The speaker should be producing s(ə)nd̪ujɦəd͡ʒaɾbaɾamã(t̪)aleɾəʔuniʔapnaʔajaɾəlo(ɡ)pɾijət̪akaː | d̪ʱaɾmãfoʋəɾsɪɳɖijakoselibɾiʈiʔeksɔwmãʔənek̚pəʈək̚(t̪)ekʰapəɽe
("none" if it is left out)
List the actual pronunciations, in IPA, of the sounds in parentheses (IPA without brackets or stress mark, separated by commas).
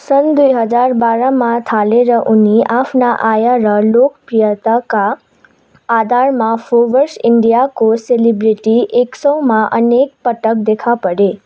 ə, t̪ʰ, k, d̪